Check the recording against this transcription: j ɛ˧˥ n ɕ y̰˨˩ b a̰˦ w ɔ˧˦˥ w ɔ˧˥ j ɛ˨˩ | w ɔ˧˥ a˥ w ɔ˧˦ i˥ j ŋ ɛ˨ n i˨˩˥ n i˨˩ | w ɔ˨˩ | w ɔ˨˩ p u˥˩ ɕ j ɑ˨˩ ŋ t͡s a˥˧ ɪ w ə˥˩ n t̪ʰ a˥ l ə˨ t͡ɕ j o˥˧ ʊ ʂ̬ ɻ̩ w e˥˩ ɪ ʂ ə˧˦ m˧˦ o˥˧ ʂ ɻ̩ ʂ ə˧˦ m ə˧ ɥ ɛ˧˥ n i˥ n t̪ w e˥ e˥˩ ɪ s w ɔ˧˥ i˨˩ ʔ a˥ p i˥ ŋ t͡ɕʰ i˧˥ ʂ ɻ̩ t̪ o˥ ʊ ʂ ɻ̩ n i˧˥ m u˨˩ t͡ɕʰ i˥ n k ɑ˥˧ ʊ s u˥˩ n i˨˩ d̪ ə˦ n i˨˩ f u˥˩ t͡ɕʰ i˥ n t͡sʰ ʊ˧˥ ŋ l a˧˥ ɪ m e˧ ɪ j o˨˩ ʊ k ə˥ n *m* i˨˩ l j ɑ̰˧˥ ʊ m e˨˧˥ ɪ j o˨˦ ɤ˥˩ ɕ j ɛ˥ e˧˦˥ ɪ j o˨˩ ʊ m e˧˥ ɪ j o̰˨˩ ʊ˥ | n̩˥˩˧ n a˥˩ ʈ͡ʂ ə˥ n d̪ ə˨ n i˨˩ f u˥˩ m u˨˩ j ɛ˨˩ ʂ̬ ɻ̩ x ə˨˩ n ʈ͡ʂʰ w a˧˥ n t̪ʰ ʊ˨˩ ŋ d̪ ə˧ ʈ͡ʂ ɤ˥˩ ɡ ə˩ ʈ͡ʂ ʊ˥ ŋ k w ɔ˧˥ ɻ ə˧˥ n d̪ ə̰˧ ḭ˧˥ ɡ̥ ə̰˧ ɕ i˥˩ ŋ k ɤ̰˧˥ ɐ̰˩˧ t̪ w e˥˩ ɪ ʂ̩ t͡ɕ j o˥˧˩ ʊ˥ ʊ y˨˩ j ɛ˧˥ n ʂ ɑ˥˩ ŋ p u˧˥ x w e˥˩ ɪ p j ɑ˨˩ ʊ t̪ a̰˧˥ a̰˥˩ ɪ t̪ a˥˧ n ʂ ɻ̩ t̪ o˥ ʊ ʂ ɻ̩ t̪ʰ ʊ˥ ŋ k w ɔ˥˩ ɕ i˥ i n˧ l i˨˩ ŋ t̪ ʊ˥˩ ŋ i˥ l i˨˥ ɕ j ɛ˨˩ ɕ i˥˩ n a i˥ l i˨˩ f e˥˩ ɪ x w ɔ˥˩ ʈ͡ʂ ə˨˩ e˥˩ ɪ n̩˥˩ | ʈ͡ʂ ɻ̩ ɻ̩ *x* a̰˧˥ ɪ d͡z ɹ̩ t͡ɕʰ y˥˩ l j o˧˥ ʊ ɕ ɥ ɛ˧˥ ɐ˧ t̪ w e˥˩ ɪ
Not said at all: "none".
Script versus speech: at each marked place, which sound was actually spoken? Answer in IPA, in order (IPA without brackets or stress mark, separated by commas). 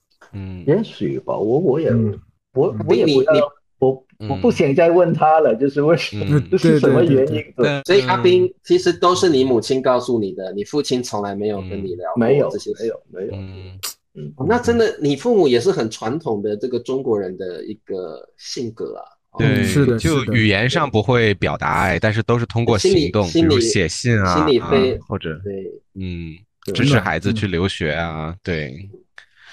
n, x